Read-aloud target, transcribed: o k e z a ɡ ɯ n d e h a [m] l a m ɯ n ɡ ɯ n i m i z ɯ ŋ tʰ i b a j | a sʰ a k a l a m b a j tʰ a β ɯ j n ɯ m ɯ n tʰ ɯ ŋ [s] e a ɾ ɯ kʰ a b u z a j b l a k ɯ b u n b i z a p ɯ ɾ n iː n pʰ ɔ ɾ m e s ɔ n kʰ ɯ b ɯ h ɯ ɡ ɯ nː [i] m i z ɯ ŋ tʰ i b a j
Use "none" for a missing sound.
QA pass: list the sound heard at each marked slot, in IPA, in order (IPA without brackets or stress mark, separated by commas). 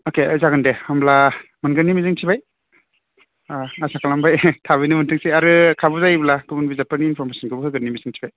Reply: m, s, i